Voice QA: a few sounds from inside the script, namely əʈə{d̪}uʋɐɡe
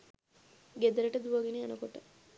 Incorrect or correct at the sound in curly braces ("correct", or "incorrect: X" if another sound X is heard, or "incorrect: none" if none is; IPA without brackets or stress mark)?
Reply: correct